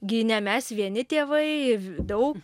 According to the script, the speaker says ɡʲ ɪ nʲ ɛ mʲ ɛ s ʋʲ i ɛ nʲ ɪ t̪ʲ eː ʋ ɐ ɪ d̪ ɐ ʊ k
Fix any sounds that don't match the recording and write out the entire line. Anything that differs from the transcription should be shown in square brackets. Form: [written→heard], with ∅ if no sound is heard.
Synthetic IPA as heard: ɡʲ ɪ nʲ ɛ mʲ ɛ s ʋʲ i ɛ nʲ ɪ t̪ʲ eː ʋ ɐ ɪ d̪ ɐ ʊ k

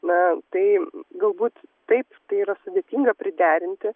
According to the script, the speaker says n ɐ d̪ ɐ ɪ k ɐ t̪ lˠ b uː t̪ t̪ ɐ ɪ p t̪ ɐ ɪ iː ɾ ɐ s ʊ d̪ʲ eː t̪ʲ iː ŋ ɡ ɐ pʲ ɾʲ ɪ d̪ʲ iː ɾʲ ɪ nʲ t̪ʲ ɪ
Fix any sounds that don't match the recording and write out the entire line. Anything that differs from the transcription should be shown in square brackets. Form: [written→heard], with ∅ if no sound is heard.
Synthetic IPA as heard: n ɐ [d̪→t̪] ɐ ɪ [k→ɡ] ɐ [t̪→∅] lˠ b uː t̪ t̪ ɐ ɪ p t̪ ɐ ɪ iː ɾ ɐ s ʊ d̪ʲ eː t̪ʲ iː ŋ ɡ ɐ pʲ ɾʲ ɪ d̪ʲ [iː→æː] ɾʲ ɪ nʲ t̪ʲ ɪ

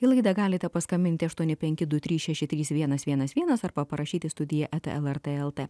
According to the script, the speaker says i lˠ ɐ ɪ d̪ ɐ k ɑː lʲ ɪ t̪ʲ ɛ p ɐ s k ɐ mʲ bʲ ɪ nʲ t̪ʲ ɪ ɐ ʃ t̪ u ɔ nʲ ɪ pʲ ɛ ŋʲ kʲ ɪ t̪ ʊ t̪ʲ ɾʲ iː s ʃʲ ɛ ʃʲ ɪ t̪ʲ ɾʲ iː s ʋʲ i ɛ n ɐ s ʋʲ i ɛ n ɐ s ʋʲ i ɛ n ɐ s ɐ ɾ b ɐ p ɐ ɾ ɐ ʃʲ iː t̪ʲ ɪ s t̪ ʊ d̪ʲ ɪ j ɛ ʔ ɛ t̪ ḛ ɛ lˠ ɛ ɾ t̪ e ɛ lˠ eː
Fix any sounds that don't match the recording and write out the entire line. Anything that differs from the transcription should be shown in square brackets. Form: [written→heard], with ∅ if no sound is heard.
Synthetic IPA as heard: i lˠ ɐ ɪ d̪ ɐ [k→ɡ] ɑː lʲ ɪ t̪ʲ ɛ p ɐ s k ɐ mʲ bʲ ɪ nʲ t̪ʲ ɪ ɐ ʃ t̪ u ɔ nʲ ɪ pʲ ɛ ŋʲ kʲ ɪ [t̪→d̪] ʊ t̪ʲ ɾʲ iː s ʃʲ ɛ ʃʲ ɪ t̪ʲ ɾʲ iː s ʋʲ i ɛ n ɐ s ʋʲ i ɛ n ɐ s ʋʲ i ɛ n ɐ s ɐ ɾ b ɐ p ɐ ɾ ɐ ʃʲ iː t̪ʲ ɪ s t̪ ʊ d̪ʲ ɪ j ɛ ʔ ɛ t̪ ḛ ɛ lˠ ɛ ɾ t̪ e ɛ lˠ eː

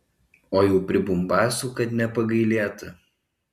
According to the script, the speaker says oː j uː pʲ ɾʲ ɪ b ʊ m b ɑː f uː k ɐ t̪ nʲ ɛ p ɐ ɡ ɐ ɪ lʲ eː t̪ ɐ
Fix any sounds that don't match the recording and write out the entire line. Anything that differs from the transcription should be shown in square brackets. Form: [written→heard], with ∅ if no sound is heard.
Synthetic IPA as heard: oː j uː pʲ ɾʲ ɪ b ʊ m b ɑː [f→s] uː k ɐ t̪ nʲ ɛ p ɐ ɡ ɐ ɪ lʲ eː t̪ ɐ

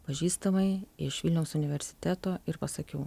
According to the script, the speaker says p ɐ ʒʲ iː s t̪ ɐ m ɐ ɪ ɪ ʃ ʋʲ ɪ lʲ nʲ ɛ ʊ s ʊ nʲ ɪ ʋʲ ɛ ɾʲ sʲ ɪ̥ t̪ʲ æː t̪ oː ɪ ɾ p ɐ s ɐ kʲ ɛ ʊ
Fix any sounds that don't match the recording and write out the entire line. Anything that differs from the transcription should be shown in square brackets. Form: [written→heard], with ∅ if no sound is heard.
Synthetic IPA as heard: p ɐ ʒʲ iː s t̪ ɐ m ɐ ɪ ɪ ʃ ʋʲ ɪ lʲ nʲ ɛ ʊ s ʊ nʲ ɪ ʋʲ ɛ ɾʲ sʲ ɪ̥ t̪ʲ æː t̪ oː ɪ ɾ p ɐ s ɐ kʲ ɛ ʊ

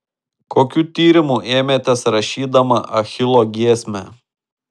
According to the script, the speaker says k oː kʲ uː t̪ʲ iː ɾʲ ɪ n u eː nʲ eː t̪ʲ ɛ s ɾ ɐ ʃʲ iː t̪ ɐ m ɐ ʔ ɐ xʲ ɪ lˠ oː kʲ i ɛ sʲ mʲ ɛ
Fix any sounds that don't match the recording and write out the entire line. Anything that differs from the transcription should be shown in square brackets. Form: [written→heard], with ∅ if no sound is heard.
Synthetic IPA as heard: k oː kʲ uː t̪ʲ iː ɾʲ ɪ [n→m] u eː [nʲ→mʲ] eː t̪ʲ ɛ s ɾ ɐ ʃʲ iː [t̪→d̪] ɐ m ɐ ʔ ɐ xʲ ɪ lˠ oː [kʲ→ɡʲ] i ɛ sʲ mʲ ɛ

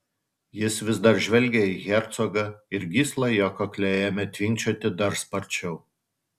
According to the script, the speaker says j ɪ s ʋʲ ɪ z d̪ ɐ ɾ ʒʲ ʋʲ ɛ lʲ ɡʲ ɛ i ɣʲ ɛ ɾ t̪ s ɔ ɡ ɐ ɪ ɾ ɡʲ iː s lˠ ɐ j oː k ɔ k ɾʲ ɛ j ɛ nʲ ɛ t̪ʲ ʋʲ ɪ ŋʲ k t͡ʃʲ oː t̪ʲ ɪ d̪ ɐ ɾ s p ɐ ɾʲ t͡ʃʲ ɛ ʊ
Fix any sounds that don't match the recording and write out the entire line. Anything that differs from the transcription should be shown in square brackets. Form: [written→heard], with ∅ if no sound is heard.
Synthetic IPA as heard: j ɪ s ʋʲ ɪ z d̪ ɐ ɾ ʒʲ ʋʲ ɛ lʲ ɡʲ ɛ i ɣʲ ɛ ɾ t̪ s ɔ ɡ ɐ ɪ ɾ ɡʲ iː s lˠ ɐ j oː k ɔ k [ɾʲ→lʲ] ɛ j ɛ [nʲ→mʲ] ɛ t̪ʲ ʋʲ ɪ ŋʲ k t͡ʃʲ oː t̪ʲ ɪ d̪ ɐ ɾ s p ɐ ɾʲ t͡ʃʲ ɛ ʊ

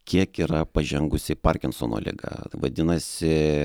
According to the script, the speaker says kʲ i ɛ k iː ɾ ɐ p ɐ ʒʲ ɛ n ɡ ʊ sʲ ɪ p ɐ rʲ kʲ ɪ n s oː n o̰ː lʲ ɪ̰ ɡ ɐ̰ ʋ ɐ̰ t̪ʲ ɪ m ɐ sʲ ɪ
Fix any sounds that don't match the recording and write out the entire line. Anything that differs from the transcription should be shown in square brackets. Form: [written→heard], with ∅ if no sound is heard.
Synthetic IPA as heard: kʲ i ɛ k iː ɾ ɐ p ɐ ʒʲ ɛ [n→ŋ] ɡ ʊ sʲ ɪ p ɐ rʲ kʲ ɪ n s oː n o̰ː lʲ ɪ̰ ɡ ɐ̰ ʋ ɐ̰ [t̪ʲ→d̪ʲ] ɪ [m→n] ɐ sʲ ɪ

